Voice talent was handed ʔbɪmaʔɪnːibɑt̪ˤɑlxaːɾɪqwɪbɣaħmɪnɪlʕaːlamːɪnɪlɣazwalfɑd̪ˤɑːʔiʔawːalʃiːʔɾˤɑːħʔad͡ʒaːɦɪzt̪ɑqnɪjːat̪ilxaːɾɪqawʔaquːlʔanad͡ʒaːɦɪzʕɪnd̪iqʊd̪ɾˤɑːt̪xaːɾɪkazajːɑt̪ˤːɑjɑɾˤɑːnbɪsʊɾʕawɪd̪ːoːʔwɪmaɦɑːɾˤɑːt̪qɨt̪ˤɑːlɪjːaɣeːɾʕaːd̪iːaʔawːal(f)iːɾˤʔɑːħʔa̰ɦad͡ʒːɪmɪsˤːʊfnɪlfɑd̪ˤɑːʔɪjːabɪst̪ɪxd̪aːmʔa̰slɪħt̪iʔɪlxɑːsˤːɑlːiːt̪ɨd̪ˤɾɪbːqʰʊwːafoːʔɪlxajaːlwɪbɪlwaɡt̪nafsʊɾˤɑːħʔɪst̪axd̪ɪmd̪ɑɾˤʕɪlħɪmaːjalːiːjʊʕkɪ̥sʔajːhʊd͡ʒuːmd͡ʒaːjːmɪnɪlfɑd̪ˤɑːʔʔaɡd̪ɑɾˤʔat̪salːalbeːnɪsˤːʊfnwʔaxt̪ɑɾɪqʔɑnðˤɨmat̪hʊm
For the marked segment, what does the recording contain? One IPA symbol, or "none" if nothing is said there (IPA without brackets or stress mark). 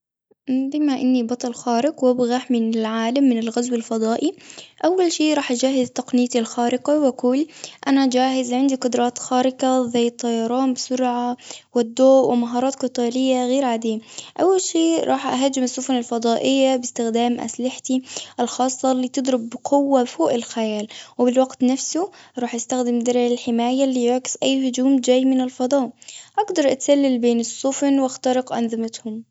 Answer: ʃ